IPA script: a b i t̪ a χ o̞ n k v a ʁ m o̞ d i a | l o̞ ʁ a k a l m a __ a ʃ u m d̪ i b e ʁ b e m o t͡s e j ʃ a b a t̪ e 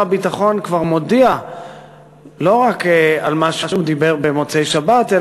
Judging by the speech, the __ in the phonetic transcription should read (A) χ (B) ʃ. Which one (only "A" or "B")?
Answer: B